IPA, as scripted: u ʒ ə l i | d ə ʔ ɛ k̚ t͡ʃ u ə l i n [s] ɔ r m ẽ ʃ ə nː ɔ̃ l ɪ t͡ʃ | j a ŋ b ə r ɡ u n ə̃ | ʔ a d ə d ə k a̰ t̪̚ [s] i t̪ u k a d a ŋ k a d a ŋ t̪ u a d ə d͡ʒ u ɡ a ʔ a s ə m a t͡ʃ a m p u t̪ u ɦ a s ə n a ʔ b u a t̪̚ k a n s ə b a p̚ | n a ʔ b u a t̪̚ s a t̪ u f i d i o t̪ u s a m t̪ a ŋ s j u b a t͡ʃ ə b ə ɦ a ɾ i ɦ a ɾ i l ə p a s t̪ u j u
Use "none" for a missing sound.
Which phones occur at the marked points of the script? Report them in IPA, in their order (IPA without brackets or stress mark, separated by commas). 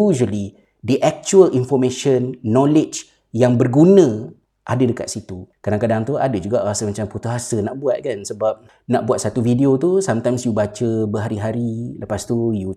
f, s